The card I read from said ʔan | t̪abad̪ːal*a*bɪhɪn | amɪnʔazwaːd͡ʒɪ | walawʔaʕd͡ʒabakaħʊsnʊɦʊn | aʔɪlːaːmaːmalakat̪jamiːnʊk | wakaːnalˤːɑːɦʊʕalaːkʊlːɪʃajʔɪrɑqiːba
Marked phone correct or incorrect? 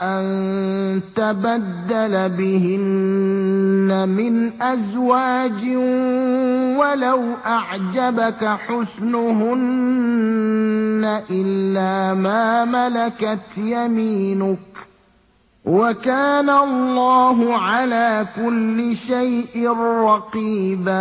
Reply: correct